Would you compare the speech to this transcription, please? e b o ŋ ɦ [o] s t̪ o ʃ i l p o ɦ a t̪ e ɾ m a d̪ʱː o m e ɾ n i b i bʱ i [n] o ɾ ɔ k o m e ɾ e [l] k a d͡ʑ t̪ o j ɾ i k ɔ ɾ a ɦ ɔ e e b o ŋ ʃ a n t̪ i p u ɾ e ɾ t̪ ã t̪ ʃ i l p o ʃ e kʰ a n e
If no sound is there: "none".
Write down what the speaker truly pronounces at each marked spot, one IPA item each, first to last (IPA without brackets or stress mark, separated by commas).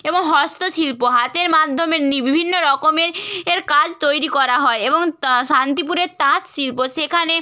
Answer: ɔ, nː, ɾ